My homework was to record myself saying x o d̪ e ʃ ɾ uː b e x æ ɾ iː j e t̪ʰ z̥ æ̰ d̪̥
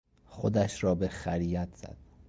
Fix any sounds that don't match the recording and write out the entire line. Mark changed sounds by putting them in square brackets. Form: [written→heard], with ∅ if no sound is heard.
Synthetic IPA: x o d̪ [e→æ] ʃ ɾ [uː→ɒː] b e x æ ɾ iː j [e→æ] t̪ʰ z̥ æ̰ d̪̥